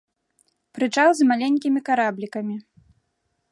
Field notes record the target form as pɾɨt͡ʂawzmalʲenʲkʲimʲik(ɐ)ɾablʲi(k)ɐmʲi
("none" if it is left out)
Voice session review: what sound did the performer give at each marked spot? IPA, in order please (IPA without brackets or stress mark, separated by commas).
a, k